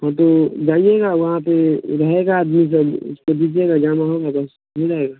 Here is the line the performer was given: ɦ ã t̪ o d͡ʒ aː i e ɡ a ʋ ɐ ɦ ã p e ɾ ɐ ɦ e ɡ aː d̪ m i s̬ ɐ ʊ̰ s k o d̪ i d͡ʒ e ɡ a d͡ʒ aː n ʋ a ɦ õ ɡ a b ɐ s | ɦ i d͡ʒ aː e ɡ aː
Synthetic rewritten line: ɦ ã t̪ o d͡ʒ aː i e ɡ a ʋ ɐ ɦ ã p e ɾ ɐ ɦ e ɡ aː d̪ m i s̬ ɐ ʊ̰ s k o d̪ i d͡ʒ e ɡ a d͡ʒ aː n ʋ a ɦ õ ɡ a b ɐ s | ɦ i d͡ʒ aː e ɡ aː